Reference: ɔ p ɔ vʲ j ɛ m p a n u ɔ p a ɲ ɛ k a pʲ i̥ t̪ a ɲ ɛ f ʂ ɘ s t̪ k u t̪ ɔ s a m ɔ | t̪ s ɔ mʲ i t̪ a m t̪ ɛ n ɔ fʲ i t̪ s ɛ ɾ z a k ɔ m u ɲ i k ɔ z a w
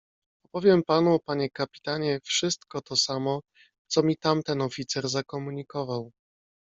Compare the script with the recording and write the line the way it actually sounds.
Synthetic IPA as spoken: ɔ p ɔ vʲ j ɛ m p a n u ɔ p a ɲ ɛ k a pʲ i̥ t̪ a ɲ ɛ f ʂ ɘ s t̪ k ɔ t̪ ɔ s a m ɔ | t̪ s ɔ mʲ i t̪ a m t̪ ɛ n ɔ fʲ i t̪ s ɛ ɾ z a k ɔ m u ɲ i k ɔ v a w